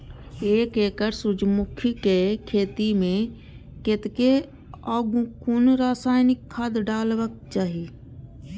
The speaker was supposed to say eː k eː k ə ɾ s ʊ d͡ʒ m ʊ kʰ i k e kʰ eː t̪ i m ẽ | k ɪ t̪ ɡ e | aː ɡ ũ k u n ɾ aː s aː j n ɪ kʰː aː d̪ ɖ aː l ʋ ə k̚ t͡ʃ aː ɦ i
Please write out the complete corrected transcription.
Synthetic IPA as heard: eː k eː k ə ɾ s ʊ d͡ʒ m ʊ kʰ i k e kʰ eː t̪ i m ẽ | k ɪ t̪ k e | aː ɡ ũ k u n ɾ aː s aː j n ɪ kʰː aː d̪ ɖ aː l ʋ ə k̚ t͡ʃ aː ɦ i

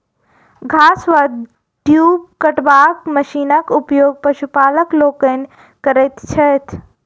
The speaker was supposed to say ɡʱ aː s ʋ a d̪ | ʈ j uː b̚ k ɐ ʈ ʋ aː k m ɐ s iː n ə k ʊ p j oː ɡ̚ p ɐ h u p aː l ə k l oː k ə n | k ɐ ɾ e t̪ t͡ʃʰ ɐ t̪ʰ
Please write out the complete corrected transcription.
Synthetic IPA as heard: ɡʱ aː s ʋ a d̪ | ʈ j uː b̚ k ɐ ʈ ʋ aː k m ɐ ʃ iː n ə k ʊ p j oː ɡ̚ p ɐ ʃ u p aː l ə k l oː k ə n | k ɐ ɾ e t̪ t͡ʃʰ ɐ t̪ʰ

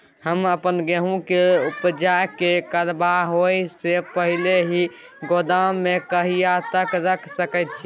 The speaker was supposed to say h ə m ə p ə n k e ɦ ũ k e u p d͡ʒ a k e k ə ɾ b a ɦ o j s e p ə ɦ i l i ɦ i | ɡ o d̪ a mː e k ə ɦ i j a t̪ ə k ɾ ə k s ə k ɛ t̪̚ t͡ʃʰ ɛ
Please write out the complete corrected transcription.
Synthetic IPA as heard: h ə m ə p ə n ɡ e ɦ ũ k e u p d͡ʒ a k e k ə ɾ b a ɦ o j s e p ə ɦ i l e ɦ i | ɡ o d̪ a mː e k ə ɦ i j a t̪ ə k ɾ ə k s ə k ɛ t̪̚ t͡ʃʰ i

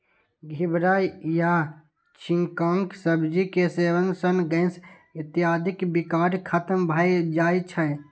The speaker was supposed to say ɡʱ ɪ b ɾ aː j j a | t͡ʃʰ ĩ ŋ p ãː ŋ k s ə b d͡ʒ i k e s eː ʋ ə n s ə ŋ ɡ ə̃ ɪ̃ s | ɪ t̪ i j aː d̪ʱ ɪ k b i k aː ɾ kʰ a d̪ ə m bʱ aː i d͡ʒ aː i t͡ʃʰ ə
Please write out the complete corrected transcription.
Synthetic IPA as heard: ɡʱ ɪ b ɾ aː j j a | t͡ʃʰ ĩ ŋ k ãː ŋ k s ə b d͡ʒ i k e s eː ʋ ə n s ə n ɡ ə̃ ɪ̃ s | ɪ t̪ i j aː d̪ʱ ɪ k b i k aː ɾ kʰ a t̪ ə m bʱ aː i d͡ʒ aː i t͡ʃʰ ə

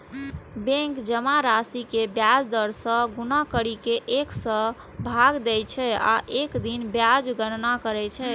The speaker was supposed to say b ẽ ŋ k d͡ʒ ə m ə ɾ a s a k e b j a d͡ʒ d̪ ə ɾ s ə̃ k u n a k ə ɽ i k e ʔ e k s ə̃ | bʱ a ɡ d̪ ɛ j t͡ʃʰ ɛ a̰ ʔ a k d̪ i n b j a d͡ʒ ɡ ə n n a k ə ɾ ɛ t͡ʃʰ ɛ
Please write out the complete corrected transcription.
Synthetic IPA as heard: b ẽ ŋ k d͡ʒ ə m a ɾ a s i k e b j a d͡ʒ d̪ ə ɾ s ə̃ ɡ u n a k ə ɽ i k e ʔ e k s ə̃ | bʱ a ɡ d̪ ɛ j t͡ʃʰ ɛ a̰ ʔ e k d̪ i n b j a d͡ʒ ɡ ə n n a k ə ɾ ɛ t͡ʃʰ ɛ

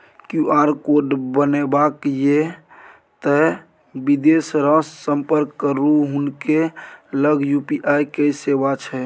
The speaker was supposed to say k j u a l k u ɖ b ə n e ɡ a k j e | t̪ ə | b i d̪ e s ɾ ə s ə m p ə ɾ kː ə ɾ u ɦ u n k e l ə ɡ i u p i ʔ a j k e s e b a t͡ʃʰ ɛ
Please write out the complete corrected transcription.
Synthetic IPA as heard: k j u a ɾ k o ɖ b ə n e b a k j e | t̪ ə | b i d̪ e s ɾ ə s ə m p ə ɾ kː ə ɾ u ɦ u n k e l ə ɡ j u p i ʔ a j k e s e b a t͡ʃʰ ɛ

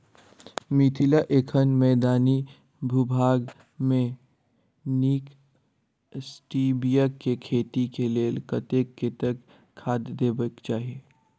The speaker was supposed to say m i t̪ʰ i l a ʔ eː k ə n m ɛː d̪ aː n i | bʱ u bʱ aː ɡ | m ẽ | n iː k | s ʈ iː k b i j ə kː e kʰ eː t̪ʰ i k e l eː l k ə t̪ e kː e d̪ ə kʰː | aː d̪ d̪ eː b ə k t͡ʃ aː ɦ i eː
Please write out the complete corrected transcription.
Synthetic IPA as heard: m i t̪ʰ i l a ʔ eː kʰ ə n m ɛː d̪ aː n i | bʱ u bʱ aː ɡ | m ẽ | n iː k | s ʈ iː b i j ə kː e kʰ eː t̪ i k e l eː l k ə t̪ e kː e t̪ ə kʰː | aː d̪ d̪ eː b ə k t͡ʃ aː ɦ i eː

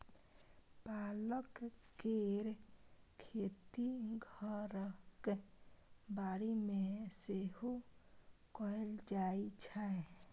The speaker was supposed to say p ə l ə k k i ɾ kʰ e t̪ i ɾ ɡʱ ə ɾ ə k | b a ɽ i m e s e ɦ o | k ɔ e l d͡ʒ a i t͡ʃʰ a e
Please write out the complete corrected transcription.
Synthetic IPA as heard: p a l ə k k e ɾ kʰ e t̪ i ɡʱ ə ɾ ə k | b a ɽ i m e s e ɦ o | k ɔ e l d͡ʒ a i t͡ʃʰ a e

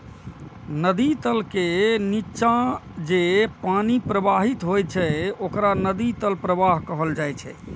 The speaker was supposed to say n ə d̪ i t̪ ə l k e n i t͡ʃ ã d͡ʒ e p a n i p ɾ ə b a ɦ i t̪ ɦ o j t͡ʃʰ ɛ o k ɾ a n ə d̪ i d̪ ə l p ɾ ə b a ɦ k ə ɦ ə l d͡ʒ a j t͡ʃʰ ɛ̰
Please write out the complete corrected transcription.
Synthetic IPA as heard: n ə d̪ i t̪ ə l k e n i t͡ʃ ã d͡ʒ e p a n i p ɾ ə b a ɦ i t̪ ɦ o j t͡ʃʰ ɛ o k ɾ a n ə d̪ i t̪ ə l p ɾ ə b a ɦ k ə ɦ ə l d͡ʒ a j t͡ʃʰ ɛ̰

